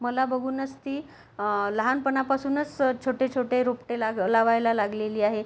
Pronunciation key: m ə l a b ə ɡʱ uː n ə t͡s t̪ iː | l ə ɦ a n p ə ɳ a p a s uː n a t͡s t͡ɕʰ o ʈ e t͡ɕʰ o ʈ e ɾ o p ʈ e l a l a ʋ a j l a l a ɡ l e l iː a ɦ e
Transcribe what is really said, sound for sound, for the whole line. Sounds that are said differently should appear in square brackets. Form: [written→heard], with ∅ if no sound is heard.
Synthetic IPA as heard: m ə l a b ə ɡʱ uː n ə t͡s t̪ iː | l ə ɦ a n p ə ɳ a p a s uː n [a→ə] t͡s t͡ɕʰ o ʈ e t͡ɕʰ o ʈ e ɾ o p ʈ e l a l a ʋ a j l a l a ɡ l e l iː a ɦ e